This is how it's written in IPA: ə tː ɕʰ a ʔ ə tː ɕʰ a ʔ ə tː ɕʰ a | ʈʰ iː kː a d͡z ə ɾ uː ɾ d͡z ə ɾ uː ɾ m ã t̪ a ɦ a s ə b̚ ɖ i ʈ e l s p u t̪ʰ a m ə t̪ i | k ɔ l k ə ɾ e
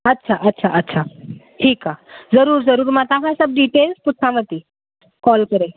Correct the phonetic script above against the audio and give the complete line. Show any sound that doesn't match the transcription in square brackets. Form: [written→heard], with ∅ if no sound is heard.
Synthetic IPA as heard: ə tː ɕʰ a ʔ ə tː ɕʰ a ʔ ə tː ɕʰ a | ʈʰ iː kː a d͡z ə ɾ uː ɾ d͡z ə ɾ uː ɾ m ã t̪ a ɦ a s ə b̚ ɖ i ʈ e l s p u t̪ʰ a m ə t̪ i | k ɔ l k ə ɾ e